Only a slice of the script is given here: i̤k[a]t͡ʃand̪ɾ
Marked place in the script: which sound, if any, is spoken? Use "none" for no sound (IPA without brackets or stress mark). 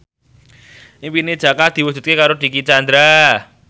i